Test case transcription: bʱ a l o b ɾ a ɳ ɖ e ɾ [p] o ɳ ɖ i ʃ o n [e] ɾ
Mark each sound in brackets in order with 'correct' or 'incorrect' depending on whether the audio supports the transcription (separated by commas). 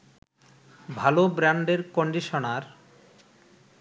incorrect, incorrect